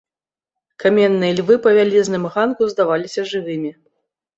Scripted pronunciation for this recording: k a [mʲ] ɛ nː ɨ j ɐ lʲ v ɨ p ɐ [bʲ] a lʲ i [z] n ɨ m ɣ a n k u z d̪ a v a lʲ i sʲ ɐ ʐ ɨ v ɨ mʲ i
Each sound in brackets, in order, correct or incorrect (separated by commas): correct, incorrect, correct